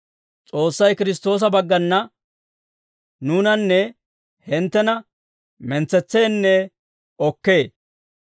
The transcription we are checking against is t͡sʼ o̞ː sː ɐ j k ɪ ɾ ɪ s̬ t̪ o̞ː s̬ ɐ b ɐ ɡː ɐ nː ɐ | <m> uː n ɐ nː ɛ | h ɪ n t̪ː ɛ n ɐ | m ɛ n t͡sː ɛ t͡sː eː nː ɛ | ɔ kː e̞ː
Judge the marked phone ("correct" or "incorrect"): incorrect